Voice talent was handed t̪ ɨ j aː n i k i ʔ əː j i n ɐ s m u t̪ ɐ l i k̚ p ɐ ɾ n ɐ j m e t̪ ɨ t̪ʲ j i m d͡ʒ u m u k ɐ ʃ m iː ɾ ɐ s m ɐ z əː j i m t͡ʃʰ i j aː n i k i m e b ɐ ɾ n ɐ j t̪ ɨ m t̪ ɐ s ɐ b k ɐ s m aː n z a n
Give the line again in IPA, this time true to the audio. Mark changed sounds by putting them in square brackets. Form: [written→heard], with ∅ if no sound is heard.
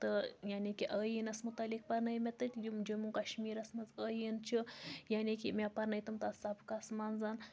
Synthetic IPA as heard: t̪ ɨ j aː n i k i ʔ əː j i n ɐ s m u t̪ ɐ l i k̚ p ɐ ɾ n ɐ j m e t̪ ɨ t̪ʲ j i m d͡ʒ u m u k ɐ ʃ m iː ɾ ɐ s m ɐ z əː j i [m→n] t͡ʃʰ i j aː n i k i m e [b→p] ɐ ɾ n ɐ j t̪ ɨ m t̪ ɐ s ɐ b k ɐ s m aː n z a n